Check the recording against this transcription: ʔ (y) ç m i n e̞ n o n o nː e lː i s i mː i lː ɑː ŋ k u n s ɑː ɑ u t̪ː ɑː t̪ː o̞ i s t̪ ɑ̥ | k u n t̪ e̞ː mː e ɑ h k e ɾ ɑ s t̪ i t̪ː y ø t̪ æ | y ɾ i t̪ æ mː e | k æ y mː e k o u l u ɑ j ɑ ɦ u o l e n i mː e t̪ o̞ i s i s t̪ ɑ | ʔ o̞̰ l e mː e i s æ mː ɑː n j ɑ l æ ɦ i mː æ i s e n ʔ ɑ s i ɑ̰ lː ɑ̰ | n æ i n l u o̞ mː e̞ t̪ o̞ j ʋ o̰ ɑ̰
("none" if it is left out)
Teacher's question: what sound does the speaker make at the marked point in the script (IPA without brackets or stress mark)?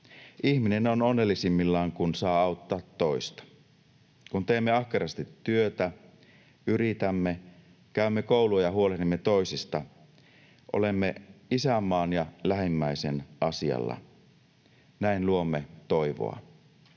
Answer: i